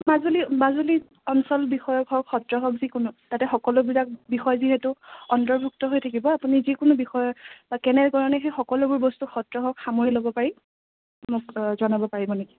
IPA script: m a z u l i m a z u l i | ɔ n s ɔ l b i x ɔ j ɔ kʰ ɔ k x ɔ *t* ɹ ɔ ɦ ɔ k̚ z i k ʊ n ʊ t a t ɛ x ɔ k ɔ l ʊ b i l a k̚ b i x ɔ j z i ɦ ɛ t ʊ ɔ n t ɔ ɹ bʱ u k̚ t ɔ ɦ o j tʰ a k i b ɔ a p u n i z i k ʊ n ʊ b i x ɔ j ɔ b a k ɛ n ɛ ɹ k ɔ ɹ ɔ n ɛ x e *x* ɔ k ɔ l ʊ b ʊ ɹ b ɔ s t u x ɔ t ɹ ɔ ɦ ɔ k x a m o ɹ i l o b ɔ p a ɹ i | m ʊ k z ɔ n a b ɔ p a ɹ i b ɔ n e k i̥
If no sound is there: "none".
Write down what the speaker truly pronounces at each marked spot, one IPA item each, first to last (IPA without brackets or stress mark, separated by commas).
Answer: t, x